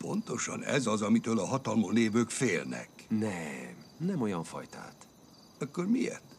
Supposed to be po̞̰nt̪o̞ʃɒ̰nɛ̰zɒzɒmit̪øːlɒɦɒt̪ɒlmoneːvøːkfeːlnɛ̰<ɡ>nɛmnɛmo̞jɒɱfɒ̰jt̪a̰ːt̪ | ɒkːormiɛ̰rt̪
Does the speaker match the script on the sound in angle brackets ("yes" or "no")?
no